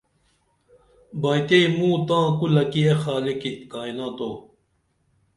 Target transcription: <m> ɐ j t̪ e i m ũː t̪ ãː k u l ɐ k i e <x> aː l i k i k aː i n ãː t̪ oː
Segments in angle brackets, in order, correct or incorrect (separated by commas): incorrect, correct